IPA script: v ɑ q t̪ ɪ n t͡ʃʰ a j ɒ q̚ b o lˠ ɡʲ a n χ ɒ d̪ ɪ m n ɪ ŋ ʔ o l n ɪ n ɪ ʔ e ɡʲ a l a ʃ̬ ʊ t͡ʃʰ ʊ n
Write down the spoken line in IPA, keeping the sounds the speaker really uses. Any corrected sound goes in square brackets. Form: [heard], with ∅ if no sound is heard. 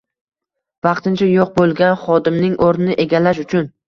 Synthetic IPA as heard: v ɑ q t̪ ɪ n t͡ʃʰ a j [o] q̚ b o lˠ ɡʲ a n χ ɒ d̪ ɪ m n ɪ ŋ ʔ o [ɾ] n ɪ n ɪ ʔ e ɡʲ a l a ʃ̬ ʊ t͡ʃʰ ʊ n